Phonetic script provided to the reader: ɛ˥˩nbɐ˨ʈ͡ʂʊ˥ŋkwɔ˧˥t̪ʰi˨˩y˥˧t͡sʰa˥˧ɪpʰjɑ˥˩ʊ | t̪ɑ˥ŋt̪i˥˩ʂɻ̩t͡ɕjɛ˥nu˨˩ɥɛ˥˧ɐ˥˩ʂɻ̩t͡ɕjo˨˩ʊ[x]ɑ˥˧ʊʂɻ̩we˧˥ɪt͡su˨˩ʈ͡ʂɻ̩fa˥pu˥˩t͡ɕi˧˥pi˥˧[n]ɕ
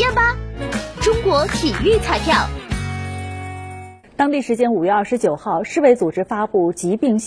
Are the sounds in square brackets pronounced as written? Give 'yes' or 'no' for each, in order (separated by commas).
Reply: yes, no